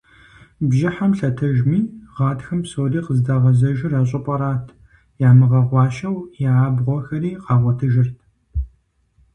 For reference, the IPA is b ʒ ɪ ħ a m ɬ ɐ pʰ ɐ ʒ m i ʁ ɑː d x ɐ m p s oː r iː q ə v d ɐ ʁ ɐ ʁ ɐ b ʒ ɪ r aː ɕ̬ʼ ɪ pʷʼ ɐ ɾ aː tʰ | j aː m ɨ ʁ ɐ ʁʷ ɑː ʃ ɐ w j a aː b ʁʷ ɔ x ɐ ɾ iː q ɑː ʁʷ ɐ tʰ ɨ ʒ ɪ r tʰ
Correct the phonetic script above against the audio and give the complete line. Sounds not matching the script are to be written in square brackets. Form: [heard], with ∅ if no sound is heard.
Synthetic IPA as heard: b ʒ ɪ ħ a m ɬ ɐ [tʰ] ɐ ʒ m [iː] ʁ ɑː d x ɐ m p s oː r iː q ə [z] d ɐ ʁ ɐ [z] ɐ [∅] ʒ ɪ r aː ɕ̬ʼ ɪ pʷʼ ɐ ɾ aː tʰ | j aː m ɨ ʁ ɐ ʁʷ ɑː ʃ ɐ w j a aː b ʁʷ ɔ x ɐ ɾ iː q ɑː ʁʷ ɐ tʰ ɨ ʒ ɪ r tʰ